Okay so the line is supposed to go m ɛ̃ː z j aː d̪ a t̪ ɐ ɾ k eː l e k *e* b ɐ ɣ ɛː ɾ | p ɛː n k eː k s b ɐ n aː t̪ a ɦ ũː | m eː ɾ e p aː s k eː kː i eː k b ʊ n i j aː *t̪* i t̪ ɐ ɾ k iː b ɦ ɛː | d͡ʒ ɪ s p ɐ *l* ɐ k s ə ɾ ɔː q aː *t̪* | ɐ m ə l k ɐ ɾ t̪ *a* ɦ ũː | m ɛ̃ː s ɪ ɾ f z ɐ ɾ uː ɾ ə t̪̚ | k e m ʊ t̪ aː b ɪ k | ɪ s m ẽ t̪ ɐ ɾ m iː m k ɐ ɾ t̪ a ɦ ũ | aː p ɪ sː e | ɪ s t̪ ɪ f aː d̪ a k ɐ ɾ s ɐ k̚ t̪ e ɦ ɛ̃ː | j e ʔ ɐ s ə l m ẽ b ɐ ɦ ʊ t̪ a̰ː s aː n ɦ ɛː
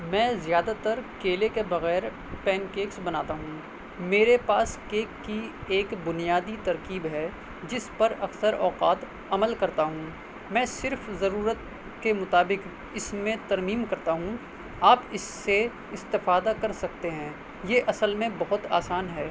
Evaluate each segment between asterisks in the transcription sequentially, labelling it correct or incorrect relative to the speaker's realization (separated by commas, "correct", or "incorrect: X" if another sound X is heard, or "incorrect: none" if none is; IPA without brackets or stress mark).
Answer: correct, incorrect: d̪, incorrect: ɾ, correct, correct